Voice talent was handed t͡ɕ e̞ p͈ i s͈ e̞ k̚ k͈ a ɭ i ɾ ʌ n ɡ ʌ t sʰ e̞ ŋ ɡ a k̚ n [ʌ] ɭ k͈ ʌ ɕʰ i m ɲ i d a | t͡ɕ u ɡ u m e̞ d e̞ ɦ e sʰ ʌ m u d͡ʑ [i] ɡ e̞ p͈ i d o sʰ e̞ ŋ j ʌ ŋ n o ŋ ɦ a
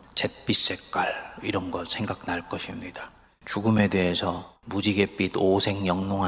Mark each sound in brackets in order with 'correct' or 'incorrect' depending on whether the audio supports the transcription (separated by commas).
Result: incorrect, correct